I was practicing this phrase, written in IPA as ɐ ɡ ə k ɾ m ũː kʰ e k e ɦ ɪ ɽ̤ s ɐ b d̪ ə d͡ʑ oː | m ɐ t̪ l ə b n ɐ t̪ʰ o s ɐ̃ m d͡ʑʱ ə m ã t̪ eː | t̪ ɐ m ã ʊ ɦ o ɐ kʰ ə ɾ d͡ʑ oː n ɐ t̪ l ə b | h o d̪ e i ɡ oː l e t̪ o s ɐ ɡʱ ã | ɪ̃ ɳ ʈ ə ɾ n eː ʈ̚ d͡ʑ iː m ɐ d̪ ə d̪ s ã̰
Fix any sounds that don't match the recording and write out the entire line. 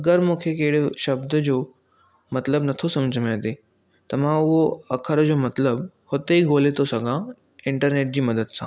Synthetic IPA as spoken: ɐ ɡ ə ɾ m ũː kʰ e k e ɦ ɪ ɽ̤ ʃ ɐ b d̪ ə d͡ʑ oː | m ɐ t̪ l ə b n ɐ t̪ʰ o s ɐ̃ m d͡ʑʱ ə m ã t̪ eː | t̪ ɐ m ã ʊ ɦ o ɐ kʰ ə ɾ d͡ʑ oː m ɐ t̪ l ə b | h o t̪ e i ɡ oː l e t̪ o s ɐ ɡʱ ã | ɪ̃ ɳ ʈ ə ɾ n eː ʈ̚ d͡ʑ iː m ɐ d̪ ə d̪ s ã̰